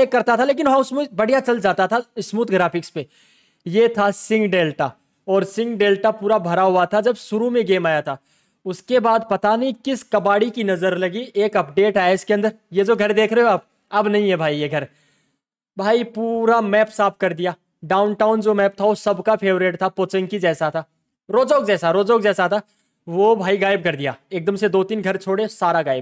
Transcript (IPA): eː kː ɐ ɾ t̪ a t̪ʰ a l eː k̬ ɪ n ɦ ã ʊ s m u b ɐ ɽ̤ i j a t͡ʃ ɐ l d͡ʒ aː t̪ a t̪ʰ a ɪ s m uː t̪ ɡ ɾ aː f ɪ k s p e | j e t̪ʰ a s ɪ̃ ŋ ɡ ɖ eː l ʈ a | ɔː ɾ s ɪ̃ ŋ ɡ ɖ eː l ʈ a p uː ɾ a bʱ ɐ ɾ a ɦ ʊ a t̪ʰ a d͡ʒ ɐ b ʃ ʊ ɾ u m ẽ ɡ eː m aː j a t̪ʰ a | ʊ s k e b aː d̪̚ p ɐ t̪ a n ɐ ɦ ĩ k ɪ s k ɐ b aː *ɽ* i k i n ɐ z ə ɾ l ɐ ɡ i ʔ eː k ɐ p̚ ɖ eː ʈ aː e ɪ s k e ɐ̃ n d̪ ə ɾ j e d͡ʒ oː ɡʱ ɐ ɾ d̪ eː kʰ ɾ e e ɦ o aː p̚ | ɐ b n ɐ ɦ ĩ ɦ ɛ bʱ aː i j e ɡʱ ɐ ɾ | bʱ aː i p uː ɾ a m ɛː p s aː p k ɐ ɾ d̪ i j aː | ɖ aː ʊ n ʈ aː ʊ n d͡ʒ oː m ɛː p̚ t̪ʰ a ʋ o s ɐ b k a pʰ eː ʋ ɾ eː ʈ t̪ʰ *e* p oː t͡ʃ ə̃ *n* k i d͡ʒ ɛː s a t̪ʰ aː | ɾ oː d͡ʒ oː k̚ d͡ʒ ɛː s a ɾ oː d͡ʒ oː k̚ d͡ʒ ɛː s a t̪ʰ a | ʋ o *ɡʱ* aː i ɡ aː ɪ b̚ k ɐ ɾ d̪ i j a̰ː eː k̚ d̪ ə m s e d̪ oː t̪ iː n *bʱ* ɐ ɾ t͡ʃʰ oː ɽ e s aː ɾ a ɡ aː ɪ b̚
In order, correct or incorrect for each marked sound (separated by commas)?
correct, incorrect, incorrect, incorrect, incorrect